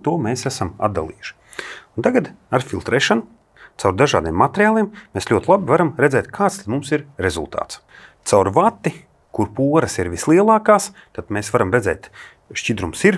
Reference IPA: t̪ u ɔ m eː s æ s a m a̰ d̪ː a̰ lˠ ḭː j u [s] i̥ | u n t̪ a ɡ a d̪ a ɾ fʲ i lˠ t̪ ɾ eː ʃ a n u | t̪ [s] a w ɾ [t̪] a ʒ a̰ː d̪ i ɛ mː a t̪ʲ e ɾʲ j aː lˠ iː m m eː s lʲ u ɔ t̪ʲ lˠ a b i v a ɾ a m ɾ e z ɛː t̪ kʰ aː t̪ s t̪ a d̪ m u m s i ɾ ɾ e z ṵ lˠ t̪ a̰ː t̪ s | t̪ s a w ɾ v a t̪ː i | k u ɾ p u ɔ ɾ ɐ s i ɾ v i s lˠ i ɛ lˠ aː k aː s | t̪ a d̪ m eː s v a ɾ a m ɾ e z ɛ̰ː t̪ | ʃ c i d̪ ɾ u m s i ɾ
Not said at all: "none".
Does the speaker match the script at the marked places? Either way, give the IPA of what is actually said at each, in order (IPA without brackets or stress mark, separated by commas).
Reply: ʃ, s, d̪